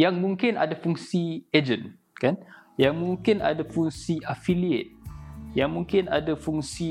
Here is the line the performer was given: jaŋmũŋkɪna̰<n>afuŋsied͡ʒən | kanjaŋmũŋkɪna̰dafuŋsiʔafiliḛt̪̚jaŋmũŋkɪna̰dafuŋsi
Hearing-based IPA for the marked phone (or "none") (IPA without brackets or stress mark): d